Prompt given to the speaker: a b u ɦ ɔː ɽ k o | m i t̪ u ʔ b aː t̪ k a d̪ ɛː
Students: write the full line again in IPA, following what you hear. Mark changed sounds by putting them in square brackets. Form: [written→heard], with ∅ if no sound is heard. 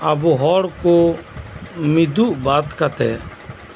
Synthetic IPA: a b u ɦ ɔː ɽ k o | m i [t̪→d̪] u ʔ b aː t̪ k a [d̪→t̪] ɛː